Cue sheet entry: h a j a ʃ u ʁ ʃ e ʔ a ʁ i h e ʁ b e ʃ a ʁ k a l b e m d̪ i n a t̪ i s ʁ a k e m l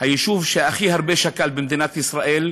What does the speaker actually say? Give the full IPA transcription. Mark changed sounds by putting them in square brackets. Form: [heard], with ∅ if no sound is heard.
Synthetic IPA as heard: h a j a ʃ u [v] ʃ e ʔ a [χ] i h [a] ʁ b e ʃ a [∅] k a l b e m d̪ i n a t̪ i s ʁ a [ʔ] e [∅] l